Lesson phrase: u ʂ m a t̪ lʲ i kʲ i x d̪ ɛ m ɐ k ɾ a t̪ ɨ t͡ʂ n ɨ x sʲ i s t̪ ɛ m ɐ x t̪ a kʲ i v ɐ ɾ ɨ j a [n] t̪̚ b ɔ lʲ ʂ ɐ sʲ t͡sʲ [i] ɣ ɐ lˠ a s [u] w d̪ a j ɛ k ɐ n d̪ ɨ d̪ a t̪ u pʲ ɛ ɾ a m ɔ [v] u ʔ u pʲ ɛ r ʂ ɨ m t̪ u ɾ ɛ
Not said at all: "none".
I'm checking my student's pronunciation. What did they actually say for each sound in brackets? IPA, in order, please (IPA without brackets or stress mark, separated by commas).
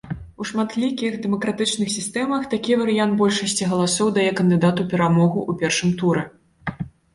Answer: n, i, ɔ, ɣ